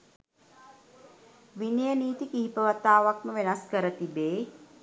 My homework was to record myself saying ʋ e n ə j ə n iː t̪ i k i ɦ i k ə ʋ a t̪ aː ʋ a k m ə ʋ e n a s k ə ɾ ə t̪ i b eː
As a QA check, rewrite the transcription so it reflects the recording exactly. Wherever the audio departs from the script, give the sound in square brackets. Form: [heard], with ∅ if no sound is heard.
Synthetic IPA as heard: ʋ [i] n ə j ə n iː t̪ i k i ɦ i [p] ə ʋ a t̪ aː ʋ a k m ə ʋ e n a s k ə ɾ ə t̪ i b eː